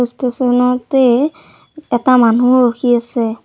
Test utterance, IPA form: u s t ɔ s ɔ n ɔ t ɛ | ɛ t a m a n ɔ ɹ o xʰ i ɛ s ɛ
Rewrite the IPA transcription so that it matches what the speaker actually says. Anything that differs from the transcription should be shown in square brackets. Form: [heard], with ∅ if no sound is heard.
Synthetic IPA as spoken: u s t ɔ s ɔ n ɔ t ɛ | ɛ t a m a n [u] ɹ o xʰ i [a] s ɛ

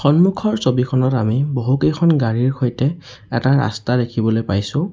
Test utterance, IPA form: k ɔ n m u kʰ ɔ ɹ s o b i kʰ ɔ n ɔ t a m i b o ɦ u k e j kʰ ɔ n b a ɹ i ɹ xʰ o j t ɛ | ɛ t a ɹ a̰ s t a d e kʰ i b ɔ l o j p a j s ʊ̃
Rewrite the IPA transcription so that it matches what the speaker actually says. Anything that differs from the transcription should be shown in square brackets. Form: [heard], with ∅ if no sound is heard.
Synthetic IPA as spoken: [x] ɔ n m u kʰ ɔ ɹ s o b i kʰ ɔ n ɔ t a m i b o ɦ u k e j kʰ ɔ n [ɡ] a ɹ i ɹ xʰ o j t ɛ | ɛ t a ɹ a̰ s t a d e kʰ i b ɔ l o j p a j s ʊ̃

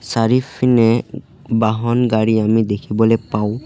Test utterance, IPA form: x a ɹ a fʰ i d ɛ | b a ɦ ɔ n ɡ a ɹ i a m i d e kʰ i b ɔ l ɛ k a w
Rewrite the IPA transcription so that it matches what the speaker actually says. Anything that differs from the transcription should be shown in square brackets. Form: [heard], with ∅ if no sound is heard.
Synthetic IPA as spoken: [s] a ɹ [i] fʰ i [n] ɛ | b a ɦ ɔ n ɡ a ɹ i a m i d e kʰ i b ɔ l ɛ [p] a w

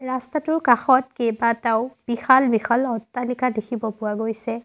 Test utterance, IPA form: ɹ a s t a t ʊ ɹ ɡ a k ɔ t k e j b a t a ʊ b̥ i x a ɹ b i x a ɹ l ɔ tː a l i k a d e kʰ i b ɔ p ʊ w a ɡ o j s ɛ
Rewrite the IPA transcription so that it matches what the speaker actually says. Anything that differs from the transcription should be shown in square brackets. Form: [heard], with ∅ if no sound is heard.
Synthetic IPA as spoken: ɹ a s t a t ʊ ɹ [k] a [x] ɔ t k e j b a t a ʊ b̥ i x a [l] b i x a [∅] l ɔ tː a l i k a d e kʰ i b ɔ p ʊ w a ɡ o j s ɛ

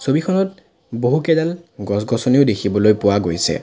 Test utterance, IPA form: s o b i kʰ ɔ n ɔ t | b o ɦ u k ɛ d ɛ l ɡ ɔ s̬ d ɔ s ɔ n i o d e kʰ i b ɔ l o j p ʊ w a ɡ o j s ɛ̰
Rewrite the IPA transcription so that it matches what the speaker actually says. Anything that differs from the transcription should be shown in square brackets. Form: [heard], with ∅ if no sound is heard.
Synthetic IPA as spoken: s o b i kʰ ɔ n ɔ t | b o ɦ u k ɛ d [a] l ɡ ɔ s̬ [ɡ] ɔ s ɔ n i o d e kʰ i b ɔ l o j p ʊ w a ɡ o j s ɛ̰

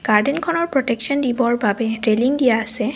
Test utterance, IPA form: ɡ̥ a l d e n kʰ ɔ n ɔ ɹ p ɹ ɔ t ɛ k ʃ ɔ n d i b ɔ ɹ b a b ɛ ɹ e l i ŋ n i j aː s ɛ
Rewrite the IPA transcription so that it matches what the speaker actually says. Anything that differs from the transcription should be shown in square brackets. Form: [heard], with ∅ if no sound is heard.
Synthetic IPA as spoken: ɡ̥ a [ɹ] d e n kʰ ɔ n ɔ ɹ p ɹ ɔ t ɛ k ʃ ɔ n d i b ɔ ɹ b a b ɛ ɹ e l i ŋ [d] i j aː s ɛ

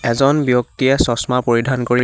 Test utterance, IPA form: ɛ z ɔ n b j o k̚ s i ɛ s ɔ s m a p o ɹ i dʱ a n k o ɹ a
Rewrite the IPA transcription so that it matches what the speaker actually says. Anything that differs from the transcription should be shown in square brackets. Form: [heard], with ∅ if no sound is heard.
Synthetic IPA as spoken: ɛ z ɔ n b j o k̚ [t] i ɛ s ɔ s m a p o ɹ i dʱ a n k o ɹ [i]

